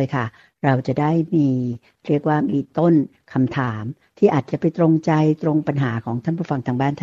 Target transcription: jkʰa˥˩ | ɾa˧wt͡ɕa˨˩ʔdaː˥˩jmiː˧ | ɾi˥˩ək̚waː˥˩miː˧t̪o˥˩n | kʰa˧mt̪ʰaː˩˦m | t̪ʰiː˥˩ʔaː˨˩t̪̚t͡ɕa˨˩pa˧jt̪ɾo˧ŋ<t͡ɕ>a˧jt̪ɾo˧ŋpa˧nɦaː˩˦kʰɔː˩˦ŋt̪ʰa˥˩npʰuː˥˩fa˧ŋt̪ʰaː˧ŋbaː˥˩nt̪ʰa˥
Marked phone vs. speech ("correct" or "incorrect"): correct